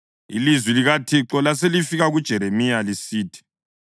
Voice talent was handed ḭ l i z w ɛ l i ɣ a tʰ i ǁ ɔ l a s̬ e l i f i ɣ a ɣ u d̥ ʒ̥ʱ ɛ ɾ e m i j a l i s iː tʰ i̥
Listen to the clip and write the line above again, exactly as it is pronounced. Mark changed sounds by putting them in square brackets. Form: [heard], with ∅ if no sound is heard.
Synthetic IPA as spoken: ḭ l i z w [i] l i ɣ a tʰ i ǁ ɔ l a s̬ e l i f i ɣ a ɣ u d̥ ʒ̥ʱ ɛ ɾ e m i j a l i s iː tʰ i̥